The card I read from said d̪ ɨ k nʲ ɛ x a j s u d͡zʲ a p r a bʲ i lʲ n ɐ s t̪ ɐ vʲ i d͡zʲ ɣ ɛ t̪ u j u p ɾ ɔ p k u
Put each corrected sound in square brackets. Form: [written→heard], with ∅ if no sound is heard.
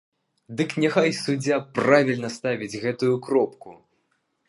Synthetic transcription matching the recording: d̪ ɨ k nʲ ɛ x a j s u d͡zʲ a p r a [bʲ→vʲ] i lʲ n ɐ s t̪ [ɐ→a] vʲ i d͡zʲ ɣ ɛ t̪ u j u [p→k] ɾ ɔ p k u